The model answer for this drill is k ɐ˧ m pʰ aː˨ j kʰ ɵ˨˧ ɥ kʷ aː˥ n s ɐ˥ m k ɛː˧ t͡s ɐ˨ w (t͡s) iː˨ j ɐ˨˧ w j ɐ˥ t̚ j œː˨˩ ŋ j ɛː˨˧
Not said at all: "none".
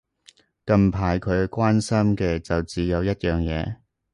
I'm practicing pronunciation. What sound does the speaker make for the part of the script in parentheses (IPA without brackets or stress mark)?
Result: t͡s